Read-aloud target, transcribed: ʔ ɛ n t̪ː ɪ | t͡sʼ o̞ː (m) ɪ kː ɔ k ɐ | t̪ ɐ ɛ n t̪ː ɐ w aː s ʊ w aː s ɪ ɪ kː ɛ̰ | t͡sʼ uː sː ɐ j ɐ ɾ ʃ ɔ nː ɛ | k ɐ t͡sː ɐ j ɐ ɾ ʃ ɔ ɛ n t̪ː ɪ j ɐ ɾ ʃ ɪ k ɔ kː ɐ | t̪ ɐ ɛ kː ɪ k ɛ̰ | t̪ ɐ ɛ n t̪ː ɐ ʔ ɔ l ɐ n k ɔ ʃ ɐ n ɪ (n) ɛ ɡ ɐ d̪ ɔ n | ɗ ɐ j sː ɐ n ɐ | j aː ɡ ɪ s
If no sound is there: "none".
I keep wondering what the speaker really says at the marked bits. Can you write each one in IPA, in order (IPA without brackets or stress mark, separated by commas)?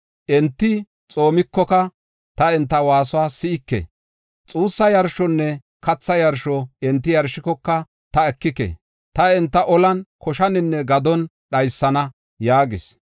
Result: m, nː